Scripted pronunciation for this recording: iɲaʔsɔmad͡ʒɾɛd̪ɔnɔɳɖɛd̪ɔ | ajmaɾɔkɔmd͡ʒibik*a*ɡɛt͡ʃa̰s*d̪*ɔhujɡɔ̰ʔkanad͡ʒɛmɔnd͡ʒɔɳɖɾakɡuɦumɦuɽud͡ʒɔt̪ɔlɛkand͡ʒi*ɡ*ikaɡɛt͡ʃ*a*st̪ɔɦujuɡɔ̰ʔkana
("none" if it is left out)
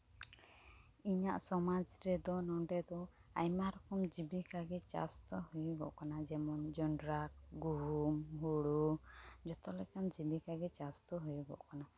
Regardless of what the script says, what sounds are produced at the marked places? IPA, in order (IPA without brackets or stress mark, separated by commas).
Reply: a, t̪, b, a